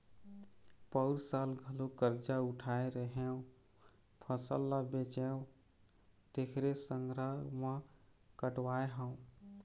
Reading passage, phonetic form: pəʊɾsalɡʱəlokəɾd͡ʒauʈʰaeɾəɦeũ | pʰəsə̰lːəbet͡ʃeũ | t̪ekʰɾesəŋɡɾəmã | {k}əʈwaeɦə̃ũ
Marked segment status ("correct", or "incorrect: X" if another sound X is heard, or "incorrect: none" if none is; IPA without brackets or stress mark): correct